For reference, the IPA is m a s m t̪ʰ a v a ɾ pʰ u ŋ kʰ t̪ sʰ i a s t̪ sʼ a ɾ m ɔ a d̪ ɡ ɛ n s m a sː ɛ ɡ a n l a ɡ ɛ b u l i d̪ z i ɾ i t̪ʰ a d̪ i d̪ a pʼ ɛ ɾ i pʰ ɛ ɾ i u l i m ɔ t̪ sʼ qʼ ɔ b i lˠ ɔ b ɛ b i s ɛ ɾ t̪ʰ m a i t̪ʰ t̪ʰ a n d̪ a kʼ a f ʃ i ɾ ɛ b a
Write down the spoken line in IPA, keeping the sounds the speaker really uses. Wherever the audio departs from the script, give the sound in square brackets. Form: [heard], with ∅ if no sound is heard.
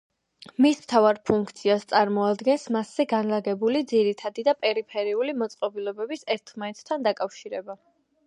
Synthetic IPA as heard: m [i] s m t̪ʰ a v a ɾ pʰ u ŋ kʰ t̪ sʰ i a s t̪ sʼ a ɾ m ɔ a d̪ ɡ ɛ n s m a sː ɛ ɡ a n l a ɡ ɛ b u l i d̪ z i ɾ i t̪ʰ a d̪ i d̪ a pʼ ɛ ɾ i pʰ ɛ ɾ i u l i m ɔ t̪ sʼ qʼ ɔ b i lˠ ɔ b ɛ b i s ɛ ɾ t̪ʰ m a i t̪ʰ t̪ʰ a n d̪ a kʼ a f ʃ i ɾ ɛ b a